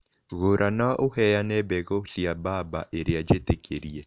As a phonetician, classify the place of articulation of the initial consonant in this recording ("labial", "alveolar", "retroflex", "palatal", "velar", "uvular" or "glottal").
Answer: velar